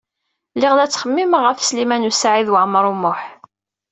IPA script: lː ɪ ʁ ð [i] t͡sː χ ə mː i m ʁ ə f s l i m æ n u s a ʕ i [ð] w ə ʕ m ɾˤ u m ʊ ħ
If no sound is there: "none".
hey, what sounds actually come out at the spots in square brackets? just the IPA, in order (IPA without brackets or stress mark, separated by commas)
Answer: æ, ð